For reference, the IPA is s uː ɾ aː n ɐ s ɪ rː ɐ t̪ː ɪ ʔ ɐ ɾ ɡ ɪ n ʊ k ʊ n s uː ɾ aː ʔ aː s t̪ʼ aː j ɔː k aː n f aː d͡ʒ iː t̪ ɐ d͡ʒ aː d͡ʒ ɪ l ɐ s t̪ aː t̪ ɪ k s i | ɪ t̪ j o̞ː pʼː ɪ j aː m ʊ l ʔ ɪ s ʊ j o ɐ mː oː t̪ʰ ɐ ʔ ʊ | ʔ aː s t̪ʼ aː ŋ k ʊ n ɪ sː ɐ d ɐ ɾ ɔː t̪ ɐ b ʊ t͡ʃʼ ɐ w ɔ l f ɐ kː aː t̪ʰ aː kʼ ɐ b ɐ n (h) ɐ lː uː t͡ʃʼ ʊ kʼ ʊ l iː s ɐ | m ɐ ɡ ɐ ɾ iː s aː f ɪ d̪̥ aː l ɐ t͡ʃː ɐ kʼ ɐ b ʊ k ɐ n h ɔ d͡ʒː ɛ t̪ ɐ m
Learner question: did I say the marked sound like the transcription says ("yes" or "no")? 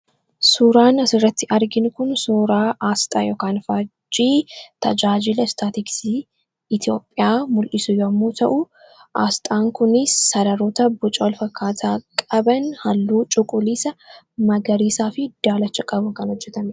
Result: yes